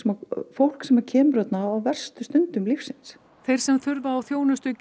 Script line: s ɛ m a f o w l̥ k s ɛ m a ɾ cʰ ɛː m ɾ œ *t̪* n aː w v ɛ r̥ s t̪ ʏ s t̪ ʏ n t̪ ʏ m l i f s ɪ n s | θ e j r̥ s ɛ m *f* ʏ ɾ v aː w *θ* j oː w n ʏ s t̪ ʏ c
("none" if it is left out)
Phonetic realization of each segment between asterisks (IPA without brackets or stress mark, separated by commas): t̪, θ, θ